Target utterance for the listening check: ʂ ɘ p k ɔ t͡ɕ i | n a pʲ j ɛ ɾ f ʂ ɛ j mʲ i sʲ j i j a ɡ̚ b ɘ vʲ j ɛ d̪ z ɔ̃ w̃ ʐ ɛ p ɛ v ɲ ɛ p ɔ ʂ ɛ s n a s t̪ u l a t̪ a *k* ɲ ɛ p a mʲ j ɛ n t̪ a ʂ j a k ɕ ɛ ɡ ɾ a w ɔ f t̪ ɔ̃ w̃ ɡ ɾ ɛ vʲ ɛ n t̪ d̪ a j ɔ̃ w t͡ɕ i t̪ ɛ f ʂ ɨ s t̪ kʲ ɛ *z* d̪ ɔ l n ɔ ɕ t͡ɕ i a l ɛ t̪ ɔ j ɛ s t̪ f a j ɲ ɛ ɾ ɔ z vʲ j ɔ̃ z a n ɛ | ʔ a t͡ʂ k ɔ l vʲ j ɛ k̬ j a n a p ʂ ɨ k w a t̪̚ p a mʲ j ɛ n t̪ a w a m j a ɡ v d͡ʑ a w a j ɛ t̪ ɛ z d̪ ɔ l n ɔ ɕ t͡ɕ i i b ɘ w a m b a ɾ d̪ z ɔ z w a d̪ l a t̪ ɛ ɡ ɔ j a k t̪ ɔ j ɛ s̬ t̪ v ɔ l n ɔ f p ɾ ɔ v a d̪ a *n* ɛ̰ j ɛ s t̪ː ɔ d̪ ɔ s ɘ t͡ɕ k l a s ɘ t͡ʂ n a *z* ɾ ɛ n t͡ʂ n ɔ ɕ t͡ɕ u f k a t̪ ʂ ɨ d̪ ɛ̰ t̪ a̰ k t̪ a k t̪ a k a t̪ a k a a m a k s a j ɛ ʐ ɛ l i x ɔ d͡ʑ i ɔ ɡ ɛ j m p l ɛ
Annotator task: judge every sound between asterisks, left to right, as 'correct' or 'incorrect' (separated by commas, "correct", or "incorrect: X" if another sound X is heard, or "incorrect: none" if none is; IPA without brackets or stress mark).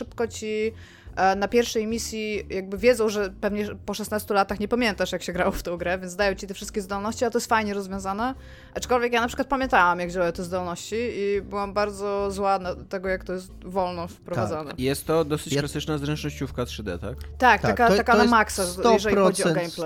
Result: incorrect: x, correct, correct, correct